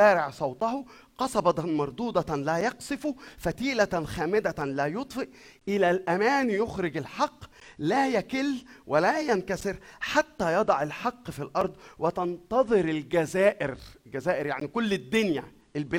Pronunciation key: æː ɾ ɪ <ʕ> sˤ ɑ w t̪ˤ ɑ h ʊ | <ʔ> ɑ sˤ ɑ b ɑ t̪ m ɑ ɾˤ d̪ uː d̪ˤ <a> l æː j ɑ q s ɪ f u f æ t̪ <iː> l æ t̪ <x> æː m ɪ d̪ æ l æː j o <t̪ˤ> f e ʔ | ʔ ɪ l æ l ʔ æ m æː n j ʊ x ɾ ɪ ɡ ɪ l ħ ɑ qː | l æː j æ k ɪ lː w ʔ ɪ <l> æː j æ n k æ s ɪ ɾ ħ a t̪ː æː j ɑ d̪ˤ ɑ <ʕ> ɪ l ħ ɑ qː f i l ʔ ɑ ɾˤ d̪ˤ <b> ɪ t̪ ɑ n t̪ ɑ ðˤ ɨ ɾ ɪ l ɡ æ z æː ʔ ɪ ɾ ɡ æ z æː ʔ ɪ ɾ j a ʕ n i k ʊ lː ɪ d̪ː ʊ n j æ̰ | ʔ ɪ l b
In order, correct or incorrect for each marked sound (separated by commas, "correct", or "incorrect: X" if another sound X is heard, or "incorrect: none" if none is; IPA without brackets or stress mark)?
correct, incorrect: q, incorrect: ɑ, correct, correct, correct, correct, correct, incorrect: w